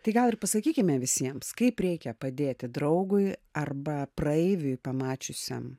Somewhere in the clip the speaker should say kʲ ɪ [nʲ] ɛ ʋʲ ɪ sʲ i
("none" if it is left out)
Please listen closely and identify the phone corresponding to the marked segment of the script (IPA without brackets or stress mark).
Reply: mʲ